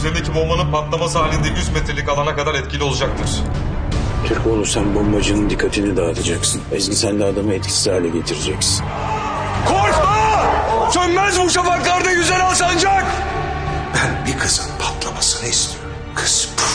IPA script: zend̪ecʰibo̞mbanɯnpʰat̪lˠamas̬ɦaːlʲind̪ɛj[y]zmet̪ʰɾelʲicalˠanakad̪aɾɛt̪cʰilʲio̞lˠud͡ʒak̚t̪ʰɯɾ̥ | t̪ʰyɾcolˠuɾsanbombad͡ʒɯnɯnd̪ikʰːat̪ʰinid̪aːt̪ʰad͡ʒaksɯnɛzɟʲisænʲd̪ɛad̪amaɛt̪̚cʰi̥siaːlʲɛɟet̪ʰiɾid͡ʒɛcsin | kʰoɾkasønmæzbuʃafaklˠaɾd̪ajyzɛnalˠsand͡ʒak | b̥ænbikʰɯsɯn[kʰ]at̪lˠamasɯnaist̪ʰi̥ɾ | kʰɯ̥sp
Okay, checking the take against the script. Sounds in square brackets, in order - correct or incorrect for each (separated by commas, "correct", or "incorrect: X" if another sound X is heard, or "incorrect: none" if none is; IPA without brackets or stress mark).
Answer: correct, incorrect: pʰ